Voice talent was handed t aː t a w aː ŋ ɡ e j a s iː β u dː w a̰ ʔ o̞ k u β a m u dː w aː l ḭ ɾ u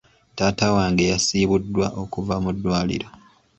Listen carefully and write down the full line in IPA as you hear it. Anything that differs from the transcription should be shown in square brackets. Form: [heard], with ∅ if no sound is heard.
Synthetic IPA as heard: t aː t a w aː ŋ ɡ e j a s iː β u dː w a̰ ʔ o̞ k u [v] a m u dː w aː l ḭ ɾ [o]